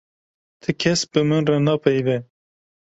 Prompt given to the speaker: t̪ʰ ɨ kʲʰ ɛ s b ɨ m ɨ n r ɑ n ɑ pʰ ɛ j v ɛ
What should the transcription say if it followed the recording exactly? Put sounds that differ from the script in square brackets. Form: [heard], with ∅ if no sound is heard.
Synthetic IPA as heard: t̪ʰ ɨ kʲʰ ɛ s b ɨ m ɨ n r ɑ n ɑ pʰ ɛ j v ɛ